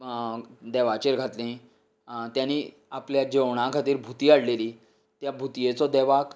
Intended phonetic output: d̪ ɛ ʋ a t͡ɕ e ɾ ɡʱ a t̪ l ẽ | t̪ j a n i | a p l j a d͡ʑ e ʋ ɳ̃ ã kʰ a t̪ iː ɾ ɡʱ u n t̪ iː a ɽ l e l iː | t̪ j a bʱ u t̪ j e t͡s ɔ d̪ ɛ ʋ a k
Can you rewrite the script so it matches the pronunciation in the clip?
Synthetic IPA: d̪ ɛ ʋ a t͡ɕ e ɾ ɡʱ a t̪ l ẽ | t̪ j a n i | a p l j a d͡ʑ e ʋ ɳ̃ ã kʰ a t̪ iː ɾ bʱ u t̪ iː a ɽ l e l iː | t̪ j a bʱ u t̪ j e t͡s ɔ d̪ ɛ ʋ a k